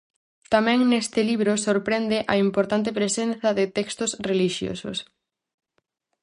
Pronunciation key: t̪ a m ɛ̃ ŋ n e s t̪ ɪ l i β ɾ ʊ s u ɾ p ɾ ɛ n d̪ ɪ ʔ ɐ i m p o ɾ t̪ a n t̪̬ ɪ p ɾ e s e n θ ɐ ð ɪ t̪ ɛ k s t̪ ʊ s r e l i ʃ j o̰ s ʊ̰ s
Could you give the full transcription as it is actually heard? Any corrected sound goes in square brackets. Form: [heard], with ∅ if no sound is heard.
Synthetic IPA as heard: t̪ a m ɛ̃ ŋ n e s t̪ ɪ l i β ɾ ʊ s [o] ɾ p ɾ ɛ n d̪ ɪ ʔ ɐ i m p o ɾ t̪ a n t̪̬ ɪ p ɾ e s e n θ ɐ ð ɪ t̪ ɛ k s t̪ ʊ s r e l i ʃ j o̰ s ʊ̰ s